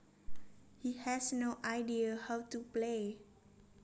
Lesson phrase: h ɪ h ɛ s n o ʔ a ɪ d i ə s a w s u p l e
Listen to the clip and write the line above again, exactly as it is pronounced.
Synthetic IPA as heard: h i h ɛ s n o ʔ a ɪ d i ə h a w t u p l e